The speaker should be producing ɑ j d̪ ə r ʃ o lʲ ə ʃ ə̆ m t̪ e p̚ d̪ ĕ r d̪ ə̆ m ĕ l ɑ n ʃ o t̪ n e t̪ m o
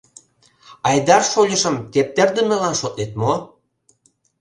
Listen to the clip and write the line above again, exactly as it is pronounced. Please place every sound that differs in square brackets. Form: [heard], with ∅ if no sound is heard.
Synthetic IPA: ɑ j d̪ [ɑ] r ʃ o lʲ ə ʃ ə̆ m t̪ e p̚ [t̪] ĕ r d̪ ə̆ m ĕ l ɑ n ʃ o t̪ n e t̪ m o

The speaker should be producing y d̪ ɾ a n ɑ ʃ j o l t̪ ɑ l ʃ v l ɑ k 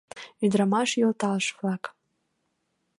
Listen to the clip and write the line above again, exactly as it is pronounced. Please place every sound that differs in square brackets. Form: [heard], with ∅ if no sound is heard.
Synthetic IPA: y d̪ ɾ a [m] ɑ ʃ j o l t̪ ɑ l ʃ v l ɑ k

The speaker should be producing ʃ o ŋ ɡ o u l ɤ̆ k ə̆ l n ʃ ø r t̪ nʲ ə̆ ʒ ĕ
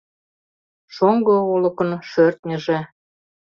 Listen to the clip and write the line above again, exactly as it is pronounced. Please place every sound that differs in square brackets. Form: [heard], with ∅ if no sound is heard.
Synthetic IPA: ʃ o ŋ ɡ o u l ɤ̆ k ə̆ [∅] n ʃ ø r t̪ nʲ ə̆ ʒ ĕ

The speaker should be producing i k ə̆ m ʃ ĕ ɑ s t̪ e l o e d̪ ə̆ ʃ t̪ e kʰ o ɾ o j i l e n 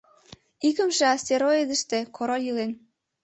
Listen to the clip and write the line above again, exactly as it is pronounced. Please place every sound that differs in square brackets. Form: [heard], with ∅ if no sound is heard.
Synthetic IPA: i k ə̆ m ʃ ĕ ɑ s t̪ e [ɾ] o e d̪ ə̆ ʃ t̪ e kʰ o ɾ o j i l e n

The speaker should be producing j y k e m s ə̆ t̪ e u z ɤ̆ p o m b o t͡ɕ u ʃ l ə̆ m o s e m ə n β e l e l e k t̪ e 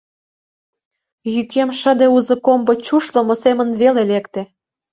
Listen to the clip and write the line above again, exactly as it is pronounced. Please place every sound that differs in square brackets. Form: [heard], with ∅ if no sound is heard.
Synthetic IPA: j y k e m [ʃ] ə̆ [d̪] e u z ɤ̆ [k] o m b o t͡ɕ u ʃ l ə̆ m o s e m ə n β e l e l e k t̪ e

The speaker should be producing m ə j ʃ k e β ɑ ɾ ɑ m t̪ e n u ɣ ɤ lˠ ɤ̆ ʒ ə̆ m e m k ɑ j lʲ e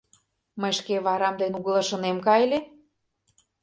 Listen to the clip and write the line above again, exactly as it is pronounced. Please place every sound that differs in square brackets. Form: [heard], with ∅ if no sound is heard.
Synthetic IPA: m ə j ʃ k e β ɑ ɾ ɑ m [d̪] e n u ɣ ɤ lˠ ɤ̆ [ʃ] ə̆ [n] e m k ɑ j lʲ e

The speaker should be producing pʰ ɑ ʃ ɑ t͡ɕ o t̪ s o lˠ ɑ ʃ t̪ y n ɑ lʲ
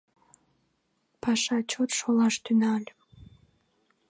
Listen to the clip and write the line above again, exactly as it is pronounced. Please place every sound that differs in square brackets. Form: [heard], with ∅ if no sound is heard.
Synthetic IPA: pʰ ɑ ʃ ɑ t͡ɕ o t̪ [ʃ] o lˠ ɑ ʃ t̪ y n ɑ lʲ

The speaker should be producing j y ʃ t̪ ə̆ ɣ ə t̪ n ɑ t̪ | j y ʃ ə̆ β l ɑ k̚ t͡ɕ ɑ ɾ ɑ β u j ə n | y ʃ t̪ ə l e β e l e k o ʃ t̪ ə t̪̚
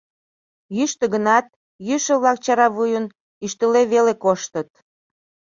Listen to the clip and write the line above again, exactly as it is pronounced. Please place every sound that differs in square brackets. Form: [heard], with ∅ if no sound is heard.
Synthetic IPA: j y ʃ t̪ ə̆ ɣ ə [∅] n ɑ t̪ | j y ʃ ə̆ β l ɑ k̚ t͡ɕ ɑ ɾ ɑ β u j ə n | y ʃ t̪ ə l e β e l e k o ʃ t̪ ə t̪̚

